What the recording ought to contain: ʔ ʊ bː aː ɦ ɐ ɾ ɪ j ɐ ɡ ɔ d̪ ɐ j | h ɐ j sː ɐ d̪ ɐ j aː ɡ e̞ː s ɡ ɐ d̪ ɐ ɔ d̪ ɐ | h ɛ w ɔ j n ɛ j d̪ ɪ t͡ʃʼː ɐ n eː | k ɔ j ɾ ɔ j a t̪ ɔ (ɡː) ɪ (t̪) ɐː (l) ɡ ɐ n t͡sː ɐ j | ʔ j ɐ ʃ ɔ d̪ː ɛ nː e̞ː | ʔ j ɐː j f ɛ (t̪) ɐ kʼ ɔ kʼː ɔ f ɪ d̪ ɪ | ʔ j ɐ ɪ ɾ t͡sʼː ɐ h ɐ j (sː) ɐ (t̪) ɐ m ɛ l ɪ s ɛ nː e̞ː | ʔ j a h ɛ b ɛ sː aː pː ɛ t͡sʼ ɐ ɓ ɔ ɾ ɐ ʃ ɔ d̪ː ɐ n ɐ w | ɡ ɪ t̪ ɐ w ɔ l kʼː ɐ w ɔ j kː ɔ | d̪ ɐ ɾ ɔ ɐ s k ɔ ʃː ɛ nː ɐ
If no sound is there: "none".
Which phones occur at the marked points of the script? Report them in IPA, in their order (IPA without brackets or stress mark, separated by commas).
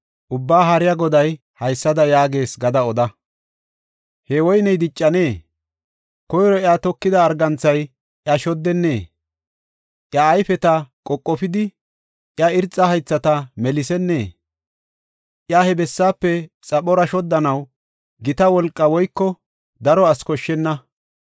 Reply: kː, d̪, ɾ, t̪, t͡sː, t̪